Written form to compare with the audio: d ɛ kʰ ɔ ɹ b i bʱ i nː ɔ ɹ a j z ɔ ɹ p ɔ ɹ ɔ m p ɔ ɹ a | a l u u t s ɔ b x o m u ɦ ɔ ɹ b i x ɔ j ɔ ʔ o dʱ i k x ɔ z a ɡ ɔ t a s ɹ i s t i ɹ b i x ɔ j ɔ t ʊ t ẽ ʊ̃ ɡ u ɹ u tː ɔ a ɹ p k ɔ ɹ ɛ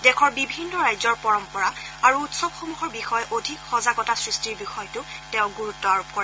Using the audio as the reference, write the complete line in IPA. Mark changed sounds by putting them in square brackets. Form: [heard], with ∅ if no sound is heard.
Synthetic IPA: d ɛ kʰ ɔ ɹ b i bʱ i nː ɔ ɹ a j z ɔ ɹ p ɔ ɹ ɔ m p ɔ ɹ a | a [ɹ] u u t s ɔ b x o m u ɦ ɔ ɹ b i x ɔ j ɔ ʔ o dʱ i k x ɔ z a ɡ ɔ t a s ɹ i s t i ɹ b i x ɔ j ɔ t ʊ t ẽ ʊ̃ ɡ u ɹ u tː ɔ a ɹ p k ɔ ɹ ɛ